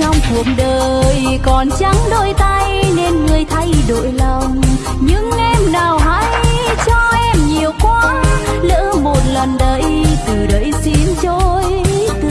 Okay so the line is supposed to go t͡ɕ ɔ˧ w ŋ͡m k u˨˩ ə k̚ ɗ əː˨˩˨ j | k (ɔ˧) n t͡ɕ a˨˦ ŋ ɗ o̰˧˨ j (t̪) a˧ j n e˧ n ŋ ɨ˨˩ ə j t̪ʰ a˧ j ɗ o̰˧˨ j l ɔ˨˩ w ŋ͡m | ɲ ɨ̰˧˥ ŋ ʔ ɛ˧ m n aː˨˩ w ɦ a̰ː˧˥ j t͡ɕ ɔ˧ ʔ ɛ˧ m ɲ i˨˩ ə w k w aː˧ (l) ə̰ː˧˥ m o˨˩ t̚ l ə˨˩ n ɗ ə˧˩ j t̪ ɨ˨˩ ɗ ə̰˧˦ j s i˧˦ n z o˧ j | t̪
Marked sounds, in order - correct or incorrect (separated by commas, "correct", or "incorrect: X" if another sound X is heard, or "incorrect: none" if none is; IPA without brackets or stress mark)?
incorrect: ɔ˨˩, correct, correct